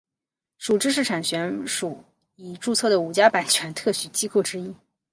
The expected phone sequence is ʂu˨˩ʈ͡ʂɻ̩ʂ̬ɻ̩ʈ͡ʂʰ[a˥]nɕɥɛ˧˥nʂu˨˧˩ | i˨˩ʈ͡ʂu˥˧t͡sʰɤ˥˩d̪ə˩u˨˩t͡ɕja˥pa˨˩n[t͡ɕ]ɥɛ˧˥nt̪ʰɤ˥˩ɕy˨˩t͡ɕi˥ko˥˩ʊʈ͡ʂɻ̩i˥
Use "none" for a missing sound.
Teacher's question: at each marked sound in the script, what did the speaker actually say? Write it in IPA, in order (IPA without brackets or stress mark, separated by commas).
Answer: a˨˩, t͡ɕʰ